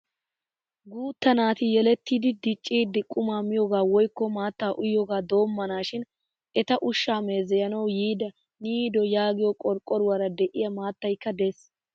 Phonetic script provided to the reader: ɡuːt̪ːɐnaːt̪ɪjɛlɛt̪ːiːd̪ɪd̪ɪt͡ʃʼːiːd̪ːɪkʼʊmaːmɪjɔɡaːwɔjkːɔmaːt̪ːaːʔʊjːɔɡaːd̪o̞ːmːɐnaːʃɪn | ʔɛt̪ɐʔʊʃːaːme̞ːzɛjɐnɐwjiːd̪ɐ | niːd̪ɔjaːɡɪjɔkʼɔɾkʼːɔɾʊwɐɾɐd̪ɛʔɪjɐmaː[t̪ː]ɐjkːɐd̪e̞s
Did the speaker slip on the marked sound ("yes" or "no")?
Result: no